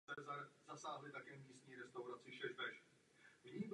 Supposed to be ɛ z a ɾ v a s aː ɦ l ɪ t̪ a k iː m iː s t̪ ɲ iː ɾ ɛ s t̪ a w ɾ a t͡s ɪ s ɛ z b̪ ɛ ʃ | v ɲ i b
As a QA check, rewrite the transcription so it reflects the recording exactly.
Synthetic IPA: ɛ z a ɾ z a s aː ɦ l ɪ t̪ a k ɛː m iː s t̪ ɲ iː ɾ ɛ s t̪ a w ɾ a t͡s ɪ ʃ ɛ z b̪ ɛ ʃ | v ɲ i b